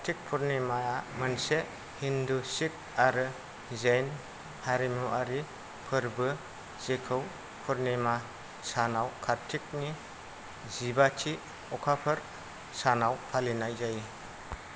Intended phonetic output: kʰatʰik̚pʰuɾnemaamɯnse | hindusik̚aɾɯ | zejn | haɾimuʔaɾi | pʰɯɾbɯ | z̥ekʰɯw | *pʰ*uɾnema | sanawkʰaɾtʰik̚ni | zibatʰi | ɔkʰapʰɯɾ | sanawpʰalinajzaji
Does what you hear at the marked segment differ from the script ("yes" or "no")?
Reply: no